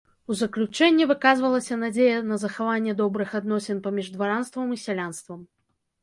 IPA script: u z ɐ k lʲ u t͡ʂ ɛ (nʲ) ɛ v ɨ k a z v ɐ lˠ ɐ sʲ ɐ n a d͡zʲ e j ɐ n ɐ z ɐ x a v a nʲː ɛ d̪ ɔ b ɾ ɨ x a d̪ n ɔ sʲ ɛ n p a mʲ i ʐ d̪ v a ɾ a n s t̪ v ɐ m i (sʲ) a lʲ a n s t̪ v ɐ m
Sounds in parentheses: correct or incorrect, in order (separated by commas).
incorrect, correct